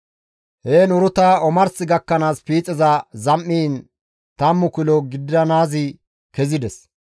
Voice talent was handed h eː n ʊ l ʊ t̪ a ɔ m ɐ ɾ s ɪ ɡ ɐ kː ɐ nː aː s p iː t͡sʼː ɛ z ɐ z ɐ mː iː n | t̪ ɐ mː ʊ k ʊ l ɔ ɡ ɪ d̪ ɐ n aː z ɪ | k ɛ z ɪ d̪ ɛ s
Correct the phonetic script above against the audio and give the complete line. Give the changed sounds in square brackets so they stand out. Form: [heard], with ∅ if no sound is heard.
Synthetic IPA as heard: h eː n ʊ [ɾ] ʊ t̪ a ɔ m ɐ ɾ s ɪ ɡ ɐ kː ɐ [n] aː s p iː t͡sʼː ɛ z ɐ z ɐ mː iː n | t̪ ɐ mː ʊ k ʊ l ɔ ɡ ɪ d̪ ɐ n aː z ɪ | k ɛ z ɪ d̪ ɛ s